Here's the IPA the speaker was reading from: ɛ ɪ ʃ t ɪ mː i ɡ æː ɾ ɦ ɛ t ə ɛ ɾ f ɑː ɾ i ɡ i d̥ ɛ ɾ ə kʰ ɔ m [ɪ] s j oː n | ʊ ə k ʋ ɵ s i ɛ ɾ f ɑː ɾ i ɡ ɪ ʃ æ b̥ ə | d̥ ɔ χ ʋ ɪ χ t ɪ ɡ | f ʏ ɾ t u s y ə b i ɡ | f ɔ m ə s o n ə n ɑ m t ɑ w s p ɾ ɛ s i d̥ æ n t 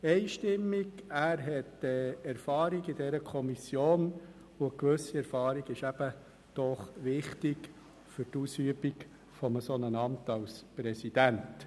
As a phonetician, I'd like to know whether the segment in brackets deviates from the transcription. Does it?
yes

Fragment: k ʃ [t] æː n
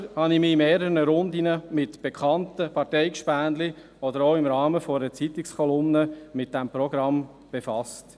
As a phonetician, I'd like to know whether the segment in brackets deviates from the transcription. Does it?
yes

